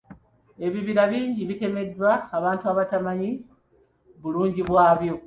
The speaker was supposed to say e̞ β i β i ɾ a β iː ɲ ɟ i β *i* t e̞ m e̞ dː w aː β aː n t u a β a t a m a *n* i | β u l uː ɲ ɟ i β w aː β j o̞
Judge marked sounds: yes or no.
yes, no

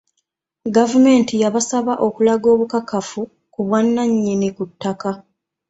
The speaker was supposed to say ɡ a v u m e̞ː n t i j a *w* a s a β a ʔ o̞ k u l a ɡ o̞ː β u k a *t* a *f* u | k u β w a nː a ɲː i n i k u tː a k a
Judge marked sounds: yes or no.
no, no, yes

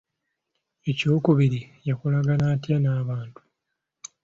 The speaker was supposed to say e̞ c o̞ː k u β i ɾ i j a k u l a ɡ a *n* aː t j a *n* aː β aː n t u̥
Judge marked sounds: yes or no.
yes, yes

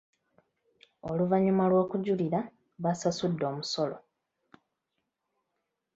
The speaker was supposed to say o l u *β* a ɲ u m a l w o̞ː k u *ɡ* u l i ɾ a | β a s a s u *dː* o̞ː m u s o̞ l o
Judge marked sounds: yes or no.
no, no, yes

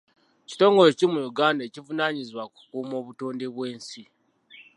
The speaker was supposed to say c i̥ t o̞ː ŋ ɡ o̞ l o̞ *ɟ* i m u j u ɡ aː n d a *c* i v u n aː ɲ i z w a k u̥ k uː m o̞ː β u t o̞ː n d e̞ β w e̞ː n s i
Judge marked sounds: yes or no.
no, yes

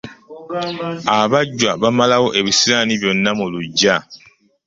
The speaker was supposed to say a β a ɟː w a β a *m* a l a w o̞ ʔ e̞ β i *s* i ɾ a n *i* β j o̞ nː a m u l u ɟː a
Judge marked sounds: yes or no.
yes, yes, yes

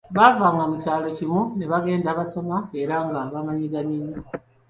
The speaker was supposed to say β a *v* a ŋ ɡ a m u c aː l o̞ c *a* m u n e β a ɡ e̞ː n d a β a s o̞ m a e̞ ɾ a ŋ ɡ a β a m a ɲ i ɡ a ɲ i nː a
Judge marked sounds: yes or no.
yes, no

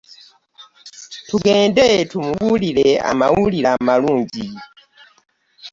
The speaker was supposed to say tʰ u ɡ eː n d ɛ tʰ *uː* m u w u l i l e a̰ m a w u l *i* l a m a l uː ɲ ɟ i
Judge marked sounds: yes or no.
no, yes

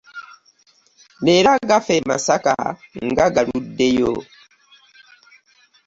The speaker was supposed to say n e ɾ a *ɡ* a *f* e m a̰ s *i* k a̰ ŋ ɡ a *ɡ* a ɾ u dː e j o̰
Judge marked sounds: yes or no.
yes, yes, no, yes

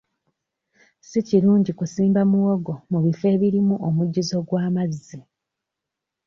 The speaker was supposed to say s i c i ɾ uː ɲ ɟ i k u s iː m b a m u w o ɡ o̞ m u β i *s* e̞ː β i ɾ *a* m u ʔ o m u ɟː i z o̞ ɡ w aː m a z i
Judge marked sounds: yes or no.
no, no

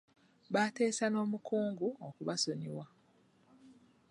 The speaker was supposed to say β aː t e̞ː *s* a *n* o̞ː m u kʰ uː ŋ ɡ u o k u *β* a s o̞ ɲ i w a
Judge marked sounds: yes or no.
yes, yes, yes

